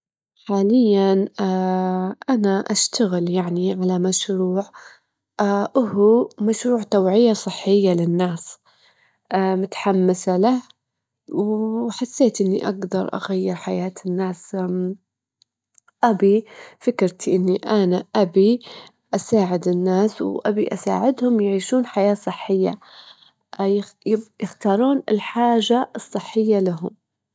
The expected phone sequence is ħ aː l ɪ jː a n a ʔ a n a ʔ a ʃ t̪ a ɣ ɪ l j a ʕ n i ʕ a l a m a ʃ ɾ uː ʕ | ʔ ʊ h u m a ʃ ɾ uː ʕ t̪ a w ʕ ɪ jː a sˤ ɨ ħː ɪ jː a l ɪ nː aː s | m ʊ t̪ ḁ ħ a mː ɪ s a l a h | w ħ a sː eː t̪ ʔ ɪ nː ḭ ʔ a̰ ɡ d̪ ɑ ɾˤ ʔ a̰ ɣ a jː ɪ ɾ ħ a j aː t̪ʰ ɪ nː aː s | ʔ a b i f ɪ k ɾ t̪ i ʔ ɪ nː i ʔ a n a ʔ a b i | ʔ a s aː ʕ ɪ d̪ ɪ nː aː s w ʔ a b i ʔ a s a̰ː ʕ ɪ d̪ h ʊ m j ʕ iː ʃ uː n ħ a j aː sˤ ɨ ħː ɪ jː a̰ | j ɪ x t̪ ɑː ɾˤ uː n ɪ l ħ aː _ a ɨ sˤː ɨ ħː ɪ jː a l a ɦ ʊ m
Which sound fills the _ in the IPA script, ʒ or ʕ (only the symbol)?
ʒ